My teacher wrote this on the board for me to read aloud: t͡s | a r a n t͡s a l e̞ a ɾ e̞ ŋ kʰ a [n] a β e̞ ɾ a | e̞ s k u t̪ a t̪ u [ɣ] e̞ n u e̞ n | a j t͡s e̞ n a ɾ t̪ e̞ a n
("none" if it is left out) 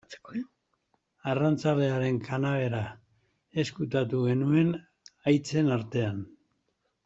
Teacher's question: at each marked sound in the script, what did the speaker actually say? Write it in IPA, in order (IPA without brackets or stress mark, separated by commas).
n, ɣ